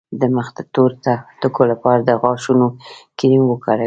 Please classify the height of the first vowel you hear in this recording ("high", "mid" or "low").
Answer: mid